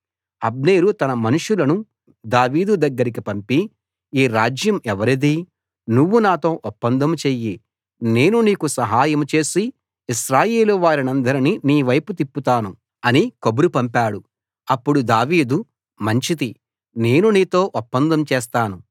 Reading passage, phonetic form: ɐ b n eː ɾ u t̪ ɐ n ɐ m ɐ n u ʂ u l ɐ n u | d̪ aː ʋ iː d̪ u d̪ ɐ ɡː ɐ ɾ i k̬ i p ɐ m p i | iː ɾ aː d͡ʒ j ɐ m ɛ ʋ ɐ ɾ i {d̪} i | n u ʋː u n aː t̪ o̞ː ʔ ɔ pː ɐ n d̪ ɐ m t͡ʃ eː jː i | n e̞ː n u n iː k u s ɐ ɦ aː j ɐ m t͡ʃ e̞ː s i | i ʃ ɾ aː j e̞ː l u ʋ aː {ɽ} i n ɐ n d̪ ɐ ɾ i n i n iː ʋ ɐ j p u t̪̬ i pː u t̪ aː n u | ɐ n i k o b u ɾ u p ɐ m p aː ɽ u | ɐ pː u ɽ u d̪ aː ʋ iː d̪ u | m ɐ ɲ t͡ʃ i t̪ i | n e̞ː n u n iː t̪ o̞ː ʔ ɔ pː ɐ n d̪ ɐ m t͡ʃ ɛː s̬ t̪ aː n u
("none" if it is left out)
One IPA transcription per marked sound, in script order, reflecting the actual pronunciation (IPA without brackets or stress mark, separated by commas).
d̪, ɾ